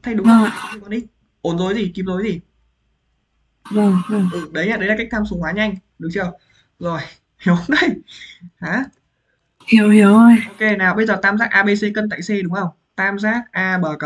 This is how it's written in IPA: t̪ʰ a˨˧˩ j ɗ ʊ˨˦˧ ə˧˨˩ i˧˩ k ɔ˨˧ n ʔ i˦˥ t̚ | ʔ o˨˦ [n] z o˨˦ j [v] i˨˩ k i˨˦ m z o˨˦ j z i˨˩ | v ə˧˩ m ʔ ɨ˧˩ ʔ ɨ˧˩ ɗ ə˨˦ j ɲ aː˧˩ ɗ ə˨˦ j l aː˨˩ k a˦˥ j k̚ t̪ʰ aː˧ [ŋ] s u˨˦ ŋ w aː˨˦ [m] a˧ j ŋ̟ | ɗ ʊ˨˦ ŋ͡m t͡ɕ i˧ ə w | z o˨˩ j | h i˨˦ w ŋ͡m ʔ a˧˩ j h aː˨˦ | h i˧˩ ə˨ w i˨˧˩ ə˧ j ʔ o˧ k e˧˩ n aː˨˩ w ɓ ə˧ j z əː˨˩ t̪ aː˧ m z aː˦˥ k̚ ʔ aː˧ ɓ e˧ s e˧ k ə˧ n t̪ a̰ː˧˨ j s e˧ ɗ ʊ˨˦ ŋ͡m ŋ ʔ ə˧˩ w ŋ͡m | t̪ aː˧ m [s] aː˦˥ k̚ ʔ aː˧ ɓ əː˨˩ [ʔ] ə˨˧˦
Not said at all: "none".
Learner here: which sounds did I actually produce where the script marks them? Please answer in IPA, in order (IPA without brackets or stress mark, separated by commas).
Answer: n, z, m, ɲ, z, k